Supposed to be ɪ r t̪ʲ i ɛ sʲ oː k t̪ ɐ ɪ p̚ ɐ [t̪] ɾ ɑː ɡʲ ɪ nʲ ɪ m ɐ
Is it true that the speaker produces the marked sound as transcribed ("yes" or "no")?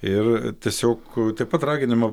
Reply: yes